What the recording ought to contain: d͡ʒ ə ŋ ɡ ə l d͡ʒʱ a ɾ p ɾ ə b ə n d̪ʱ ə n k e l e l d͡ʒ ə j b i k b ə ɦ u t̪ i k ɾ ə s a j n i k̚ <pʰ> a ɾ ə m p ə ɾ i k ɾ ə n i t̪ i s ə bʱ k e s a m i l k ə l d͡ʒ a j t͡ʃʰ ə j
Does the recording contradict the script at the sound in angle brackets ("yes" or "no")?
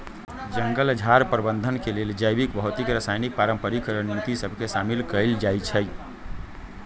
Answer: yes